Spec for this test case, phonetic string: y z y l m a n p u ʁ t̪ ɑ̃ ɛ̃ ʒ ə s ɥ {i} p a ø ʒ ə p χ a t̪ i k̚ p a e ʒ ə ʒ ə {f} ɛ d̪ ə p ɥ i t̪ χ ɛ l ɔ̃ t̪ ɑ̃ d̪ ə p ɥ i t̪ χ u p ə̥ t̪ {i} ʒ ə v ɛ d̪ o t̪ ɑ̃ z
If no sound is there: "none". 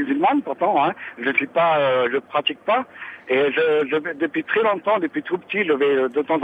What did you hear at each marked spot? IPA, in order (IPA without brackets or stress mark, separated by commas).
i, v, i